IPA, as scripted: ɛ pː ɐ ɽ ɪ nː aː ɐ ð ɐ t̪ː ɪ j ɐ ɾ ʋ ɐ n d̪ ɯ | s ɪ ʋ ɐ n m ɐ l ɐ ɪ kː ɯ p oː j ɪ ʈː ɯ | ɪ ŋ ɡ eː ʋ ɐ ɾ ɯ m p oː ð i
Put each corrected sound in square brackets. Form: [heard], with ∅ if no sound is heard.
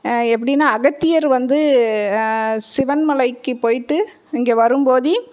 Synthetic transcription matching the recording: ɛ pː ɐ ɽ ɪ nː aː ɐ [ɣ] ɐ t̪ː ɪ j ɐ ɾ ʋ ɐ n d̪ ɯ | s ɪ ʋ ɐ n m ɐ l ɐ ɪ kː ɯ p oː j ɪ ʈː ɯ | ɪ ŋ ɡ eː ʋ ɐ ɾ ɯ m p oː ð i